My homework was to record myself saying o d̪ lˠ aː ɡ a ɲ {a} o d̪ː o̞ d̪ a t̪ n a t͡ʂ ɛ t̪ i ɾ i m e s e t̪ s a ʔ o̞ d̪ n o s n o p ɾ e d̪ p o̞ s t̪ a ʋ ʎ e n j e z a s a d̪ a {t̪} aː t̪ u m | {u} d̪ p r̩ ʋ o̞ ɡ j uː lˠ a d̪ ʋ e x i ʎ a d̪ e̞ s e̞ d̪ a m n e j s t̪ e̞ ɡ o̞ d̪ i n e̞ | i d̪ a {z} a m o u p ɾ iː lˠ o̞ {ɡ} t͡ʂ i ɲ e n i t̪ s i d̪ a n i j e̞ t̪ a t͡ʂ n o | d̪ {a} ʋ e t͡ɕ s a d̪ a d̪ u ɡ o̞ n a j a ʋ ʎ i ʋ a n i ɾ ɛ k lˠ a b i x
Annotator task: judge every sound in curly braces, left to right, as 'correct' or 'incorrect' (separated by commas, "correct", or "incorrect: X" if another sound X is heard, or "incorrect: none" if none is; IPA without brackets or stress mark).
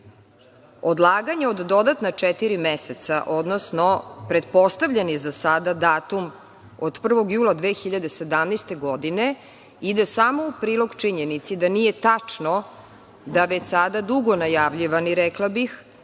incorrect: e, incorrect: d̪, incorrect: o, incorrect: s, correct, correct